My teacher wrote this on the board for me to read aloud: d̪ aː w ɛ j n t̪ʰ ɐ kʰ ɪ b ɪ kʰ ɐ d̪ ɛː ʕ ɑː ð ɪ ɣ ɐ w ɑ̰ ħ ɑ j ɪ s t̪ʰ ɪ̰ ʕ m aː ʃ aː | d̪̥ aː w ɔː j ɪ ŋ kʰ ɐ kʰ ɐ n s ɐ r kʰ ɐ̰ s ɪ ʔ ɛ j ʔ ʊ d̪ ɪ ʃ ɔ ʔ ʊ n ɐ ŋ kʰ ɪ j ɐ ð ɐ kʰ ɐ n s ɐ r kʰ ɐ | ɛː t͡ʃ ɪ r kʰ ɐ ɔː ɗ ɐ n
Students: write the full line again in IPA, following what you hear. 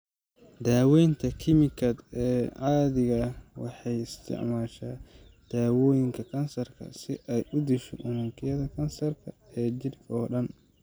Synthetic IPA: d̪ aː w ɛ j n t̪ʰ ɐ kʰ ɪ m ɪ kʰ ɐ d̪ ɛː ʕ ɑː ð ɪ ɣ ɐ w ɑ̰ ħ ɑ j ɪ s t̪ʰ ɪ̰ ʕ m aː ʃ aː | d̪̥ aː w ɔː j ɪ ŋ kʰ ɐ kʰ ɐ n s ɐ r kʰ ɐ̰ s ɪ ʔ ɛ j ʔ ʊ d̪ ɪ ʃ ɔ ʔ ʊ n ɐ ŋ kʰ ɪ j ɐ ð ɐ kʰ ɐ n s ɐ r kʰ ɐ | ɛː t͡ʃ ɪ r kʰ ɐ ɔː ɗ ɐ n